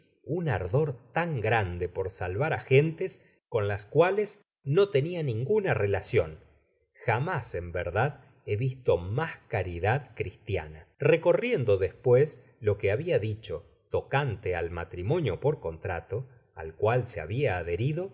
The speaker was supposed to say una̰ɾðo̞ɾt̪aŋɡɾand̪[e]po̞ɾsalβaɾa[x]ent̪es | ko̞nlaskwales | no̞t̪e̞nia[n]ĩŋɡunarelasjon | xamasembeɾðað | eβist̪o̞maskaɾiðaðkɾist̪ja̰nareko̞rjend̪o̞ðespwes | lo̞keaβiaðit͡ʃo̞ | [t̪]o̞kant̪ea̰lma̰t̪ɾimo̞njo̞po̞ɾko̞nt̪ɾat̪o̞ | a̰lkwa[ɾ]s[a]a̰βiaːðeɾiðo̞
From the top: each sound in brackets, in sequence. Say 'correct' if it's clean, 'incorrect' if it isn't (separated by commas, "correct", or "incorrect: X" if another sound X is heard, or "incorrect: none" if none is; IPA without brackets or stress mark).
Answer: correct, correct, correct, correct, incorrect: l, incorrect: e